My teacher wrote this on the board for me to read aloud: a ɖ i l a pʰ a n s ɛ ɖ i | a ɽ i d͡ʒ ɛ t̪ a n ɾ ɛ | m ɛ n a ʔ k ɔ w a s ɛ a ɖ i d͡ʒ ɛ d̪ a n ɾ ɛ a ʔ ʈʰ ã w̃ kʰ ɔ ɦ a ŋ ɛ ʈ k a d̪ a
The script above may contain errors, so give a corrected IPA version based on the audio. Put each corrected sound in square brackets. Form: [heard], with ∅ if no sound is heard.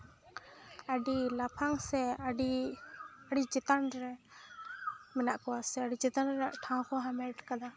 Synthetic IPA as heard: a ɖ i l a pʰ a [ŋ] s ɛ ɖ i | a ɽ i d͡ʒ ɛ t̪ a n ɾ ɛ | m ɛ n a ʔ k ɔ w a s ɛ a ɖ i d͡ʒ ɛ [t̪] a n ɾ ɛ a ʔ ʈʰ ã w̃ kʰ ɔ ɦ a [m] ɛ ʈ k a d̪ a

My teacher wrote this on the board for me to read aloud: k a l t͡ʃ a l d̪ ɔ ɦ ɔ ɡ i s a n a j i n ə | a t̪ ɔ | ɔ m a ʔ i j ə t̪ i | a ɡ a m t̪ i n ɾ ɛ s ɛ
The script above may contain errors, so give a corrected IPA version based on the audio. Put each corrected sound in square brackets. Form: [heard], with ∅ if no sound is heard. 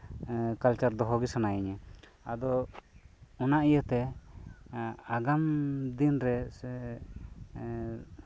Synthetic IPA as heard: k a l t͡ʃ a [ɾ] d̪ ɔ ɦ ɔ ɡ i s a n a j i [ɲ] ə | a [d̪] ɔ | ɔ [n] a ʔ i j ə t̪ [ɛ] | a ɡ a m [d̪] i n ɾ ɛ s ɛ

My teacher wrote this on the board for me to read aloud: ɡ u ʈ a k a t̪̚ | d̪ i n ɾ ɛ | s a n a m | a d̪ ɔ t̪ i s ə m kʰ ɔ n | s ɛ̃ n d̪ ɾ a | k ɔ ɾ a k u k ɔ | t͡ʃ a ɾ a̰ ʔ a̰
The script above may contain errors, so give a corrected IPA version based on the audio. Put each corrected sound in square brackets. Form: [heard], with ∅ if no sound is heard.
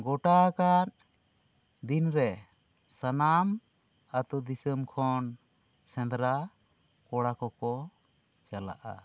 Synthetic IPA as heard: ɡ [ɔ] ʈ a k a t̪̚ | d̪ i n ɾ ɛ | s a n a m | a [t̪] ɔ [d̪] i s ə m kʰ ɔ n | s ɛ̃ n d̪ ɾ a | k ɔ [ɽ] a k [ɔ] k ɔ | t͡ʃ a [l] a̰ ʔ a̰

